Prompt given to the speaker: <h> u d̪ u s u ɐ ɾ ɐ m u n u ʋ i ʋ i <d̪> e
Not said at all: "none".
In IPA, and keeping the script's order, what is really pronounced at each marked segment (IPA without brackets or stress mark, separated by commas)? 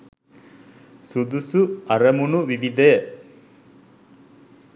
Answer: s, d̪